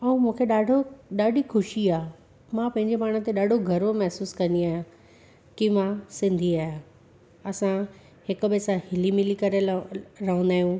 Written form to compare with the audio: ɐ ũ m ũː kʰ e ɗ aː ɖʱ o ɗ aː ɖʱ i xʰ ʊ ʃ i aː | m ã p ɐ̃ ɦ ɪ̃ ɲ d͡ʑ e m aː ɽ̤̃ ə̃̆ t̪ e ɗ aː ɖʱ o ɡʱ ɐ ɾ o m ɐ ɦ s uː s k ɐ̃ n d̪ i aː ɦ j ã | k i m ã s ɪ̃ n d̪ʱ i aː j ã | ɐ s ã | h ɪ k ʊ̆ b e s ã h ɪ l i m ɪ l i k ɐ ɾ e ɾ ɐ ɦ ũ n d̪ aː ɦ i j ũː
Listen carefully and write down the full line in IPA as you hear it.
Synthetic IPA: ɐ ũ m ũː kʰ e ɗ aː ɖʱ o ɗ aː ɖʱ i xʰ ʊ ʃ i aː | m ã p ɐ̃ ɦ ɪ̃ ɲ d͡ʑ e m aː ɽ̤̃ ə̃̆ t̪ e ɗ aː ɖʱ o ɡʱ ɐ ɾ o m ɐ ɦ s uː s k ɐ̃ n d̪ i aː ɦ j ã | k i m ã s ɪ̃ n d̪ʱ i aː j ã | ɐ s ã | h ɪ k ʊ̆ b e s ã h ɪ l i m ɪ l i k ɐ ɾ e ɾ ɐ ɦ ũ n d̪ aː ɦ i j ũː